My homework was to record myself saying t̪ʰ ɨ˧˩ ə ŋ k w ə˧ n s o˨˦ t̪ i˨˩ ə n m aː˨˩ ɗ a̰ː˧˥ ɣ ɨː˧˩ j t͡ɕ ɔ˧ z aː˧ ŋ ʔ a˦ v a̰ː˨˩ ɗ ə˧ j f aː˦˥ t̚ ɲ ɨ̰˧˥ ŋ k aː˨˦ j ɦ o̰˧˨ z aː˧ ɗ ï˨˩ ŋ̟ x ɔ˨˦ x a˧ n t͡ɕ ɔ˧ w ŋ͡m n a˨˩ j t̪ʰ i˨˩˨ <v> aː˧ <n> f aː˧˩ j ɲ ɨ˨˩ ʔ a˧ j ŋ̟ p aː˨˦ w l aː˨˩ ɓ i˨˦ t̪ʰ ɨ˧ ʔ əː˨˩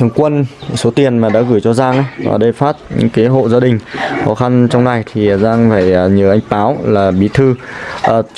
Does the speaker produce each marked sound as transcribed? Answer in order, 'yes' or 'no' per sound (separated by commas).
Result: no, no